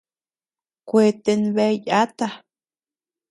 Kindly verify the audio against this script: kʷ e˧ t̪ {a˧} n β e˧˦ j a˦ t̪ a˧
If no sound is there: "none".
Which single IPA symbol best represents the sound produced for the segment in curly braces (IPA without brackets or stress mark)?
e˧